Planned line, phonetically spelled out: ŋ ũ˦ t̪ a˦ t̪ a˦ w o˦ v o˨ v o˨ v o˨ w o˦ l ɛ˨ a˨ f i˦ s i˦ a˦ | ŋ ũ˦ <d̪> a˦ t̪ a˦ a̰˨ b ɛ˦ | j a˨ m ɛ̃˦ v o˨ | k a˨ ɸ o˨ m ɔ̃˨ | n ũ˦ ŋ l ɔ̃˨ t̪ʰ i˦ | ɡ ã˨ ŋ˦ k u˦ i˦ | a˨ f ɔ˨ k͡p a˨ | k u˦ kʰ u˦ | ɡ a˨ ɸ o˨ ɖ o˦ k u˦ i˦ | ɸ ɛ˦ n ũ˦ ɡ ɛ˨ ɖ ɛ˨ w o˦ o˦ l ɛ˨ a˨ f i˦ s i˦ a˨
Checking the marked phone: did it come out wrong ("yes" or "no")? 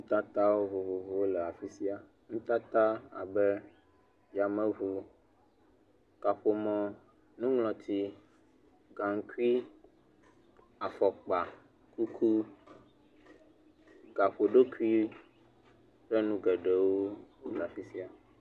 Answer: yes